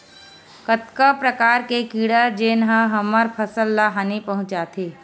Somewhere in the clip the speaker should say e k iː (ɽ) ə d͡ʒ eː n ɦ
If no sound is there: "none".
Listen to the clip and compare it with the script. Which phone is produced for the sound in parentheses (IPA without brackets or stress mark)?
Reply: ɽ